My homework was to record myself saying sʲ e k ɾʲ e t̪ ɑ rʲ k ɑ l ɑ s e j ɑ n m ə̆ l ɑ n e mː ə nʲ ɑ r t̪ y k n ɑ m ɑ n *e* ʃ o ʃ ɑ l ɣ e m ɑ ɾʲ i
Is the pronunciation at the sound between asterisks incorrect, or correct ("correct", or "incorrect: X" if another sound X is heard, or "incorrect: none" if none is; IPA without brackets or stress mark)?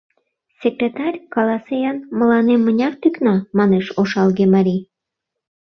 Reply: correct